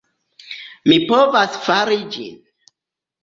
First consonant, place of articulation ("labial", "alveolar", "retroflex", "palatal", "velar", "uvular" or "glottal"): labial